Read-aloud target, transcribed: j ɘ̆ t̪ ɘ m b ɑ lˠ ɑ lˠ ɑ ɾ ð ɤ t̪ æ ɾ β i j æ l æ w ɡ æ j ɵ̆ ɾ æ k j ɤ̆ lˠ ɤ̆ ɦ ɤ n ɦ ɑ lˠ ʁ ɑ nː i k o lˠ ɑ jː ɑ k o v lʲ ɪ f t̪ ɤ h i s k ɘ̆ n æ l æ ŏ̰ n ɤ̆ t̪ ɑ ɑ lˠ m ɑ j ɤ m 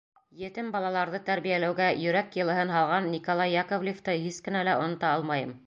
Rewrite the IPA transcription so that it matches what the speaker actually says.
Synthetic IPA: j ɘ̆ t̪ ɘ m b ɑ lˠ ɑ lˠ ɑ ɾ ð ɤ t̪ æ ɾ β i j æ l æ w ɡ æ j ɵ̆ ɾ æ k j ɤ̆ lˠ ɤ̆ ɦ ɤ n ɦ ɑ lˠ ʁ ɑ nː i k o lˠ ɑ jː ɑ k o v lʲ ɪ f t̪ ɤ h i s k ɘ̆ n æ l æ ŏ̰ n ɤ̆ t̪ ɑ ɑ lˠ m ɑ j ɤ m

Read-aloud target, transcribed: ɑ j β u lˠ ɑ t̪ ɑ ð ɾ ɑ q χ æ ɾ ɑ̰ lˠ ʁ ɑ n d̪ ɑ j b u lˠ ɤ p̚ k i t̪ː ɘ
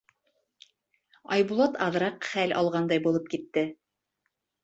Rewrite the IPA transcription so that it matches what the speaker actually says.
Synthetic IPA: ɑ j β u lˠ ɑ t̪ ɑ ð ɾ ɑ q χ æ l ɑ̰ lˠ ʁ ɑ n d̪ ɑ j b u lˠ ɤ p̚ k i t̪ː ɘ

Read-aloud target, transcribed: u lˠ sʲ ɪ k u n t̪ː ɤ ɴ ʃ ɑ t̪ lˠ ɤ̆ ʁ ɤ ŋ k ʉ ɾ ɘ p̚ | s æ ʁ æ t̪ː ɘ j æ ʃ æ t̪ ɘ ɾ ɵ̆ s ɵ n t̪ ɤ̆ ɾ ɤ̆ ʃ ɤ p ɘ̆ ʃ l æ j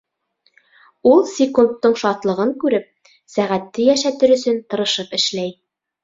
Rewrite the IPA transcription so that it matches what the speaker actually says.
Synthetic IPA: u lˠ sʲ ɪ k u n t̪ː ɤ ɴ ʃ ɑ t̪ lˠ ɤ̆ ʁ ɤ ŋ k ʉ ɾ ɘ p̚ | s æ ʁ æ t̪ː ɘ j æ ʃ æ t̪ ɘ ɾ ɵ̆ s ɵ n t̪ ɤ̆ ɾ ɤ̆ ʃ ɤ p ɘ̆ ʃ l æ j

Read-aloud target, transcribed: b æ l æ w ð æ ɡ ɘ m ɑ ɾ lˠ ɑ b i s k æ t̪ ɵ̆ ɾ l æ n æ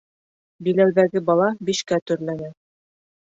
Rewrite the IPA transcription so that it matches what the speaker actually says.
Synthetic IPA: b i l æ w ð æ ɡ ɘ b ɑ lˠ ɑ b i ʃ k æ t̪ ɵ̆ ɾ l æ n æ

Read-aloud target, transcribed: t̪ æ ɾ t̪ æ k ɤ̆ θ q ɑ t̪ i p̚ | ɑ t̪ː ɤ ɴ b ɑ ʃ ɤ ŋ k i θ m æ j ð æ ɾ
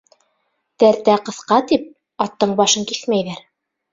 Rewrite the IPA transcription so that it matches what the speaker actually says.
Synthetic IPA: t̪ æ ɾ t̪ æ q ɤ̆ θ q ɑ t̪ i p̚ | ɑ t̪ː ɤ ɴ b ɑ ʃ ɤ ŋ k i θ m æ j ð æ ɾ

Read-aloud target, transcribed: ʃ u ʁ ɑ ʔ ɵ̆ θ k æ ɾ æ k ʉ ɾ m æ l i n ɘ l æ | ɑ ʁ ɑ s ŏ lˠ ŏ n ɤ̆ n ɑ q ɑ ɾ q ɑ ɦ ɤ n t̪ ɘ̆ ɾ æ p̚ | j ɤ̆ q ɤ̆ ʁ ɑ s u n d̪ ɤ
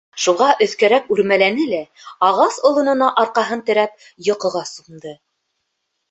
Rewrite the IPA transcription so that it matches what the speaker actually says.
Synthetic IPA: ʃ u ʁ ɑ ʔ ɵ̆ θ k æ ɾ æ k ʉ ɾ m æ l æ n ɘ l æ | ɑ ʁ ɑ s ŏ lˠ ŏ n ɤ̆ n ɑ ʔ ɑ ɾ q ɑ ɦ ɤ n t̪ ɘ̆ ɾ æ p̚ | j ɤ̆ q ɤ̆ ʁ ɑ s u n d̪ ɤ

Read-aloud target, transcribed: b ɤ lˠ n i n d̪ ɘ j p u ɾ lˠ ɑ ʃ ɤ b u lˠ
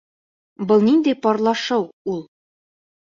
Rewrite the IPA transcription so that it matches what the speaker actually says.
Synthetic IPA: b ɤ lˠ n i n d̪ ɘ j p ɒ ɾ lˠ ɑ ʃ ɤ w u lˠ

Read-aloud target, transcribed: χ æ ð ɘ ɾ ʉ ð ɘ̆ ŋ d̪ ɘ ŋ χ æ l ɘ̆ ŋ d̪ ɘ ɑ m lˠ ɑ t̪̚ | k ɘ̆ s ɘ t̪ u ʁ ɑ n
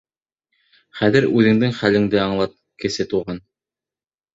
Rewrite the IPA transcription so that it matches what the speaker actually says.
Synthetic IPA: χ æ ð ɘ ɾ ʉ ð ɘ̆ ŋ d̪ ɘ ŋ χ æ l ɘ̆ ŋ d̪ ɘ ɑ ɴ lˠ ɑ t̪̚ | k ɘ̆ s ɘ t̪ u ʁ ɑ n

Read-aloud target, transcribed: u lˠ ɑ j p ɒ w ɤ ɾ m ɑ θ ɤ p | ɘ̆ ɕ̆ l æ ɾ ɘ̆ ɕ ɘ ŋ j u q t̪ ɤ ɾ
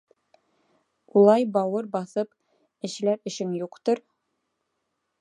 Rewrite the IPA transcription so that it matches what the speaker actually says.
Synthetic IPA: u lˠ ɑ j b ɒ w ɤ ɾ b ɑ θ ɤ p | ɘ̆ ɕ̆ l æ ɾ ɘ̆ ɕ ɘ ŋ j u q t̪ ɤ ɾ

